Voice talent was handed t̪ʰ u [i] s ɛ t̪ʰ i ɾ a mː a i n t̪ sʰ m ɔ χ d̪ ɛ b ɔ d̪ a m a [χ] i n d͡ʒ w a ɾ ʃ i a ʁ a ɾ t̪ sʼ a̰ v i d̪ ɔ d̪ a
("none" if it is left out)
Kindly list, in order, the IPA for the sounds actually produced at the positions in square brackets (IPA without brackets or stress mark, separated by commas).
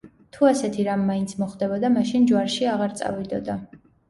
a, ʃ